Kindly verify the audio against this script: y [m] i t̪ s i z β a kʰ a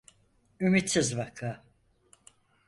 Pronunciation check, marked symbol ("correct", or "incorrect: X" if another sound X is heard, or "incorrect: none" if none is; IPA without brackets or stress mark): correct